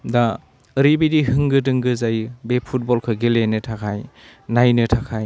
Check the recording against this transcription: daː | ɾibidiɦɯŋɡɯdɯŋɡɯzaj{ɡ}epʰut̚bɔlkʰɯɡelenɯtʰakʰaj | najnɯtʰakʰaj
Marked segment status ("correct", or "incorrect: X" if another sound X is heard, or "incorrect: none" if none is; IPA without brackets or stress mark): incorrect: b